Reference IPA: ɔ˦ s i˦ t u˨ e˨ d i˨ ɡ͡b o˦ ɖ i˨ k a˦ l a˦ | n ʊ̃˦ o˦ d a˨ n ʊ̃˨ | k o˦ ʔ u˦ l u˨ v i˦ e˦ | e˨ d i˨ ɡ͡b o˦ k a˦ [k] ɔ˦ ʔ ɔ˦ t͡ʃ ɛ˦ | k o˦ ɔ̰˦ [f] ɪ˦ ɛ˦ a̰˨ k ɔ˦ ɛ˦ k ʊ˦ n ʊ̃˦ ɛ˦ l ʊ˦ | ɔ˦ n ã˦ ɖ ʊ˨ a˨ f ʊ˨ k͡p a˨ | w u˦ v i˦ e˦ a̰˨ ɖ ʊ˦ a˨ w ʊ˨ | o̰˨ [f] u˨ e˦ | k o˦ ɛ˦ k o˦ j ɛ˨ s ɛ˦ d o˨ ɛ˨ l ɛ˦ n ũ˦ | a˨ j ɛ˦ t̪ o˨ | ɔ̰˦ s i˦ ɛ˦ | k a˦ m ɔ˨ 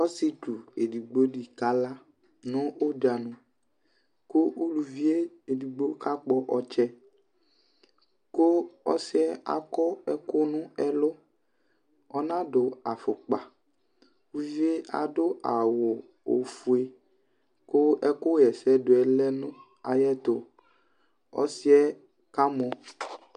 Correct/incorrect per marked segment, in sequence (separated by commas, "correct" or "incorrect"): incorrect, incorrect, correct